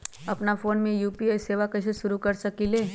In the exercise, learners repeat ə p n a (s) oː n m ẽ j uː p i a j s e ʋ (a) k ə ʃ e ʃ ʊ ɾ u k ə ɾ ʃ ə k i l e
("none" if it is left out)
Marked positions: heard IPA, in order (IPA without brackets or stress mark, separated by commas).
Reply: f, a